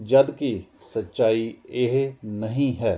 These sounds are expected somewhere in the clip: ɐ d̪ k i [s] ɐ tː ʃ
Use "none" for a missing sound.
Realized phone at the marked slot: s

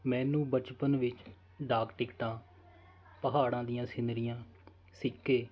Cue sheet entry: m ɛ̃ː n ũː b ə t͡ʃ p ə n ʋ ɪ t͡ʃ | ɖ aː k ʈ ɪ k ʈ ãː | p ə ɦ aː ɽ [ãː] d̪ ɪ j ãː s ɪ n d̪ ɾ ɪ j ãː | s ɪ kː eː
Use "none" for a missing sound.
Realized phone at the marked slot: ãː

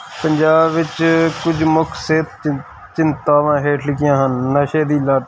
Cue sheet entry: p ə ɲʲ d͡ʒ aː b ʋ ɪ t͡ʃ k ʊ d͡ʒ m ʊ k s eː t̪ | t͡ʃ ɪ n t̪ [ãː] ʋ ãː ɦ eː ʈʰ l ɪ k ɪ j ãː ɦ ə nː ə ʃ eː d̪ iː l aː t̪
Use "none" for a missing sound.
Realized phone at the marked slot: aː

